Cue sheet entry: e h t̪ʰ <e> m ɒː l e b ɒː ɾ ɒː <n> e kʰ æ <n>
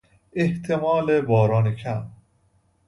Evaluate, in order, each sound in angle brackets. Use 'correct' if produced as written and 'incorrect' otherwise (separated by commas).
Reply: correct, correct, incorrect